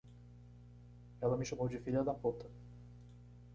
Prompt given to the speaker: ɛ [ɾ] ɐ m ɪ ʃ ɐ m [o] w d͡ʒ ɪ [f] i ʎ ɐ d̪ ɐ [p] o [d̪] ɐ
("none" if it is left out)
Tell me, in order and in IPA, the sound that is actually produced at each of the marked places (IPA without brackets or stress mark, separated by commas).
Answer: l, o, f, p, t̪